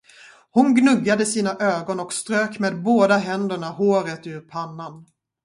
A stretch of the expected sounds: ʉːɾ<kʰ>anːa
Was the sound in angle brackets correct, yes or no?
no